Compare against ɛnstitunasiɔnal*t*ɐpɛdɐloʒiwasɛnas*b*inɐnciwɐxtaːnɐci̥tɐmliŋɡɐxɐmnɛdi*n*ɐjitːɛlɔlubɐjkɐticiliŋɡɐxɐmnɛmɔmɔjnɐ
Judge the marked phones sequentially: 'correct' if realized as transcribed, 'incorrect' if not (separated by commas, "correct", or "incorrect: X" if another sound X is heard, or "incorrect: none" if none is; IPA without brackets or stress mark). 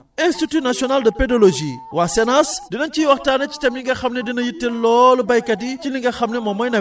incorrect: d, incorrect: d, correct